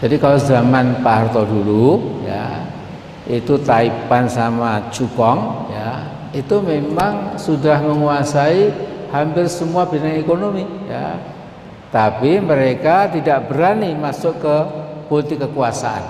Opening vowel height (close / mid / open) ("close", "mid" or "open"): open